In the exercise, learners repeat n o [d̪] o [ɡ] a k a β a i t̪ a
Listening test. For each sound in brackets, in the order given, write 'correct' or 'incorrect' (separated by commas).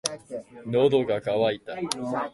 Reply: correct, correct